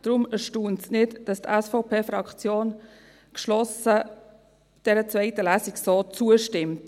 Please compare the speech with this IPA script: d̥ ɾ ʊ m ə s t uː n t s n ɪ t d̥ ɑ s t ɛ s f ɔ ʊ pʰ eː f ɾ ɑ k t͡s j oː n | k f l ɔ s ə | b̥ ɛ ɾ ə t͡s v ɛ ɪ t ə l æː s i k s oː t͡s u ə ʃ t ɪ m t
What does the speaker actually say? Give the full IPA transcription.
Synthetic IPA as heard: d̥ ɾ ʊ m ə ʃ t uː n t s n ɪ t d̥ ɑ s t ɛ s f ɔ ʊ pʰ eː f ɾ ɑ k t͡s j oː n | k ʃ l ɔ s ə | d̥ ɛ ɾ ə t͡s v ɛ ɪ t ə l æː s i k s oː t͡s u ə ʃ t ɪ m t